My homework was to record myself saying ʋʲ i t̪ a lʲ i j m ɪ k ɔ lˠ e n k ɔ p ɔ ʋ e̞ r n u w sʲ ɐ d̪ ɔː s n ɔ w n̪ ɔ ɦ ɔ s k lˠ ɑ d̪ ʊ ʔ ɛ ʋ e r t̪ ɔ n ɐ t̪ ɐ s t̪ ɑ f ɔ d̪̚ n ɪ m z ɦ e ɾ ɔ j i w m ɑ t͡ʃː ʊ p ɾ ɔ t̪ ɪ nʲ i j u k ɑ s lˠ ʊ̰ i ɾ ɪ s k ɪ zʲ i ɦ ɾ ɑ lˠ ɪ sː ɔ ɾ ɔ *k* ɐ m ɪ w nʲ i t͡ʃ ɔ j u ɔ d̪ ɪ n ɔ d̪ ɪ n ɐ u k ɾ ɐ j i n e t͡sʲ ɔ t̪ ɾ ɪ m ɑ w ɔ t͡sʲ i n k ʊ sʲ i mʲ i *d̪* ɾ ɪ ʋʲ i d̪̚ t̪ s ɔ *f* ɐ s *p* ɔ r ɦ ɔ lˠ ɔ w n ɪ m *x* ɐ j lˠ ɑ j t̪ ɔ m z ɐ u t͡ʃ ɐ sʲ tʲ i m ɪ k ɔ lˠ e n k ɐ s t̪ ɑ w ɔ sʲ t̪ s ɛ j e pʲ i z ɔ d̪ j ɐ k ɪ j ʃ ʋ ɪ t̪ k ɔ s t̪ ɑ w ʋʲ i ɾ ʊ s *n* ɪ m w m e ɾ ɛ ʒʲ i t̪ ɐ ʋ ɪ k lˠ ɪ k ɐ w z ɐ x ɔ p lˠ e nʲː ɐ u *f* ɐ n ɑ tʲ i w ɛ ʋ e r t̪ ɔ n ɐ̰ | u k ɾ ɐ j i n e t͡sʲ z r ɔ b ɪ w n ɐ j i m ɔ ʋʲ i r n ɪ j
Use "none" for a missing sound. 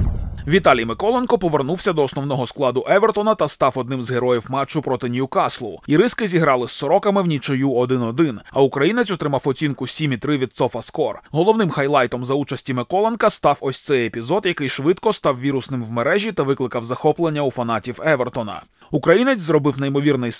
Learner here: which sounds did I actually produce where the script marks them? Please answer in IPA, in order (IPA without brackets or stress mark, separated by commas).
k, t̪, f, k, x, n, f